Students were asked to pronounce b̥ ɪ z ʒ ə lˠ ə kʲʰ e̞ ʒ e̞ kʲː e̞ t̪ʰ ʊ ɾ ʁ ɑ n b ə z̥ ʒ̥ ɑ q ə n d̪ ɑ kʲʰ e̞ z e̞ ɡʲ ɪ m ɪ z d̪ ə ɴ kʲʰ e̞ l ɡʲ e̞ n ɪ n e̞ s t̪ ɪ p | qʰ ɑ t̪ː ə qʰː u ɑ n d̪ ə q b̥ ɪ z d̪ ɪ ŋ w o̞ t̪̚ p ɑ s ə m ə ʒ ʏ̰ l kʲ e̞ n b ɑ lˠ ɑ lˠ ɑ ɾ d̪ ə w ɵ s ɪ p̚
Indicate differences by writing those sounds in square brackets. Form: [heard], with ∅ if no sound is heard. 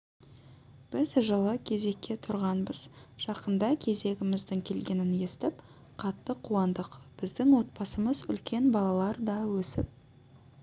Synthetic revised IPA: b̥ ɪ z ʒ ə lˠ ə kʲʰ e̞ [z] e̞ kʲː e̞ t̪ʰ ʊ ɾ ʁ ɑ n b ə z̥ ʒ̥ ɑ q ə n d̪ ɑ kʲʰ e̞ z e̞ ɡʲ ɪ m ɪ z d̪ ə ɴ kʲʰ e̞ l ɡʲ e̞ n ɪ n e̞ s t̪ ɪ p | qʰ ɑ t̪ː ə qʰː u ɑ n d̪ ə q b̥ ɪ z d̪ ɪ ŋ w o̞ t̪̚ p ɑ s ə m ə [z] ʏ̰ l kʲ e̞ n b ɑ lˠ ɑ lˠ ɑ ɾ d̪ [ɑ] w ɵ s ɪ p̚